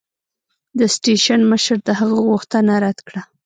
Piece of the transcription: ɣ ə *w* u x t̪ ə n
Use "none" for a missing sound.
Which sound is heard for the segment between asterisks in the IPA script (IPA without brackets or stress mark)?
ɣ